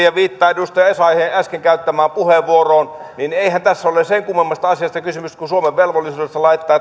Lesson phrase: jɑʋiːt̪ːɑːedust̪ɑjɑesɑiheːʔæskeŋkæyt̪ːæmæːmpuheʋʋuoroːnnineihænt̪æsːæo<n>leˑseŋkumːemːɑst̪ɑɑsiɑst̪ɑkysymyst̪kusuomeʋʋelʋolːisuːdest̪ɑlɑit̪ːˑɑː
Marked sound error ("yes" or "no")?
yes